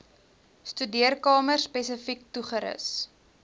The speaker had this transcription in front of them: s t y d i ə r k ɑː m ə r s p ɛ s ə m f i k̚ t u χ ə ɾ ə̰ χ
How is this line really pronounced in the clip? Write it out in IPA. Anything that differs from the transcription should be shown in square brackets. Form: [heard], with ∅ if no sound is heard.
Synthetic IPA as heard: s t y d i ə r k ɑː m ə r s p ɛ s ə [∅] f i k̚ t u χ ə ɾ ə̰ [s]

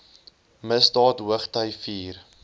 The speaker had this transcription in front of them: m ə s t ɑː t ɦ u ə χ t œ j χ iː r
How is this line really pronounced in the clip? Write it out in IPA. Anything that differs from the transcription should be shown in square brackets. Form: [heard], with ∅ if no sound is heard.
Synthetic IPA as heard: m ə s [d] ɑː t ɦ u ə χ t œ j [f] iː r

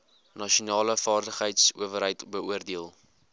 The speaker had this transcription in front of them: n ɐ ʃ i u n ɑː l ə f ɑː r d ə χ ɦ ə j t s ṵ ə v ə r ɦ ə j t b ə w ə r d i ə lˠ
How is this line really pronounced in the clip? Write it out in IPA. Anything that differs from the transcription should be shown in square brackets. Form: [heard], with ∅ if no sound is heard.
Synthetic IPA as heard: n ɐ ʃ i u n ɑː l ə f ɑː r d ə χ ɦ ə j t s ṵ ə v ə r ɦ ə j t b ə [u] ə r d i ə lˠ

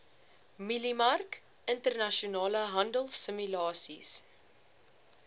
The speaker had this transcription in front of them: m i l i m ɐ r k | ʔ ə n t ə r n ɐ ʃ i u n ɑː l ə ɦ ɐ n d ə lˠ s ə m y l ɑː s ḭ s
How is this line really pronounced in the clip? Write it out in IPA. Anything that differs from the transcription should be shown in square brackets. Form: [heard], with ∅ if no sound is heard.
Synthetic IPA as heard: m i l i m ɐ r k | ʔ ə n t ə r n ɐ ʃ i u n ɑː l ə ɦ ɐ n d ə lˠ s ə m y l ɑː s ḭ s

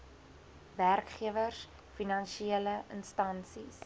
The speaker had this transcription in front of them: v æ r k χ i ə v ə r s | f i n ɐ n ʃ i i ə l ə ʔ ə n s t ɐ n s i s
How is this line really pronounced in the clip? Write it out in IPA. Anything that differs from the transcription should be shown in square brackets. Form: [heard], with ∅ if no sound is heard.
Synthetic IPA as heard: v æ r k χ i ə v ə r s | f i n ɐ n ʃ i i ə l ə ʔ ə n s t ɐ n s i s

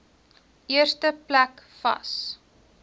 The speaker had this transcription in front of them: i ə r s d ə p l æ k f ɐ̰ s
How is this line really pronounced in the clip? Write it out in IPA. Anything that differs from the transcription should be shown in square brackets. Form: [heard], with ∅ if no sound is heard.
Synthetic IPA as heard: i ə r s [t] ə p l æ k f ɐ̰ s

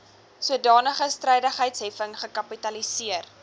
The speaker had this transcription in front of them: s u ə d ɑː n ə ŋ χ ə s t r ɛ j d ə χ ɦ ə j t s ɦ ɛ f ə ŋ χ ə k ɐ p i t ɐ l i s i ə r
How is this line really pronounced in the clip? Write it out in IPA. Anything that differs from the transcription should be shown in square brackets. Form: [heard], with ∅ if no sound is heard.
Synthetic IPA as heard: s u ə d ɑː n ə [∅] χ ə s t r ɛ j d ə χ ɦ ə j t s ɦ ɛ f ə ŋ χ ə k ɐ p i t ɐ l i s i ə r

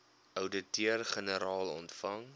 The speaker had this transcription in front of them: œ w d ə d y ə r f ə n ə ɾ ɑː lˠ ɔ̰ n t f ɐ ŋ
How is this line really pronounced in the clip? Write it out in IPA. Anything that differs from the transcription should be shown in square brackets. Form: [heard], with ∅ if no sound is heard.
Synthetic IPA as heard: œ w d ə [t] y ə r [χ] ə n ə ɾ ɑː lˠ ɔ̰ n t f ɐ ŋ

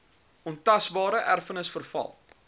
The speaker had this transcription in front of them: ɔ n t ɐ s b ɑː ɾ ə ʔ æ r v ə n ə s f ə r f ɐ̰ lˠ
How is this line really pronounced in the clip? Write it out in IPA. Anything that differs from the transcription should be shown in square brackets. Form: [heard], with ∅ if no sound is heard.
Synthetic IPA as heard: ɔ n t ɐ s b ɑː ɾ ə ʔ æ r [f] ə n ə s f ə r f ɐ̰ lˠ

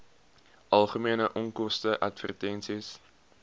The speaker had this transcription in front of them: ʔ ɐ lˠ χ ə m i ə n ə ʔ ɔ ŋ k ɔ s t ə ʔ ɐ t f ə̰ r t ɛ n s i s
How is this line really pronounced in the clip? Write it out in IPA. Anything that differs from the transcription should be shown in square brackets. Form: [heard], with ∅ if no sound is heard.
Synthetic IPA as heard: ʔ ɐ lˠ χ ə m i ə n ə ʔ ɔ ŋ k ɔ s t ə ʔ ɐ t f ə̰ r t ɛ n s i s

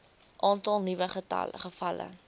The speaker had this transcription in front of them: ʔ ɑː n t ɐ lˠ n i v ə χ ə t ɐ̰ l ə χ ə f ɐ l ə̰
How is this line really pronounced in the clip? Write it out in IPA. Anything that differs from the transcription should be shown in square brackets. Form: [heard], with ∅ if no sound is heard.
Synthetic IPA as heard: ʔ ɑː n t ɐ lˠ n i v ə χ ə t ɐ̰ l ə χ ə f ɐ l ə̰

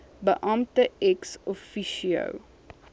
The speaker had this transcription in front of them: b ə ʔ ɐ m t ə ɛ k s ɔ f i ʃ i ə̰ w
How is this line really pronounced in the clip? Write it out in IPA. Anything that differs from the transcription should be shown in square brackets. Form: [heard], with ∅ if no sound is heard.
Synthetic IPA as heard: b ə ʔ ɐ m t ə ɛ k s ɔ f i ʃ i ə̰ w

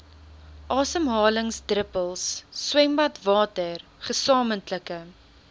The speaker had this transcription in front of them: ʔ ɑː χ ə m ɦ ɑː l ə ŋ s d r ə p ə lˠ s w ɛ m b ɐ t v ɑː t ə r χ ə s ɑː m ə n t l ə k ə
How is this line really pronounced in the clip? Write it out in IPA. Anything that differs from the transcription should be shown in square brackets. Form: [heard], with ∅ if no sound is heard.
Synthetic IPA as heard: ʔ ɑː [s] ə m ɦ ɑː l ə ŋ s d r ə p ə lˠ [sː] w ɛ m b ɐ t v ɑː t ə r χ ə s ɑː m ə n t l ə k ə

